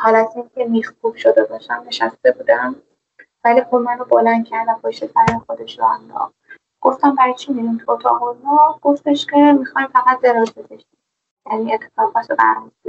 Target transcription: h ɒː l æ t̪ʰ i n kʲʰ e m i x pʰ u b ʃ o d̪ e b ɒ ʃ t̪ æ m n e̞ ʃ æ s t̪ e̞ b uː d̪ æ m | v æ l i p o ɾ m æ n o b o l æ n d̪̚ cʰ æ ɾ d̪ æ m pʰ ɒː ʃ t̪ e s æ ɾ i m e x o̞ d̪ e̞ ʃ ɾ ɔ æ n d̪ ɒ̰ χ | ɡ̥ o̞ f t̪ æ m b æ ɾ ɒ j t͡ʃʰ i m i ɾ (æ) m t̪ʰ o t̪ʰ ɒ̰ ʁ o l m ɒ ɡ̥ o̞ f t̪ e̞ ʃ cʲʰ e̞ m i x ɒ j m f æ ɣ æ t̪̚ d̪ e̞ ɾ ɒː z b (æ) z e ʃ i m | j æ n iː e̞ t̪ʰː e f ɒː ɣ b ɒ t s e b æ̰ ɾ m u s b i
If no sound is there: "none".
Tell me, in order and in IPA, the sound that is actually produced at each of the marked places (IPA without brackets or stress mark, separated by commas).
i, e